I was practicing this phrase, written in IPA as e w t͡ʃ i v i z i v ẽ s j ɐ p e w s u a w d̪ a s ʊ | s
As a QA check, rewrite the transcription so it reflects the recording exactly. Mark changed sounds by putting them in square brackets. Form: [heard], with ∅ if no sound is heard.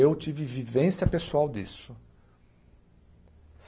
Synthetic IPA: e w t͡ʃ i v i [v] i v ẽ s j ɐ p e [∅] s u a w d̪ [i] s ʊ | s